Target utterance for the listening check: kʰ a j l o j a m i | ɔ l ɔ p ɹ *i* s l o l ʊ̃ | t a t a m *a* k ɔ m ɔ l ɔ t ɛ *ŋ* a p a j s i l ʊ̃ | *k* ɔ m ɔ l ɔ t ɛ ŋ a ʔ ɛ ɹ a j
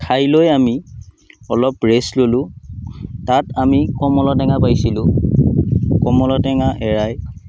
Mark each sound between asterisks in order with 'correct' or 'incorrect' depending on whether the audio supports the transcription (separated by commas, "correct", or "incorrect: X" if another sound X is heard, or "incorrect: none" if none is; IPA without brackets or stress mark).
incorrect: e, incorrect: i, correct, correct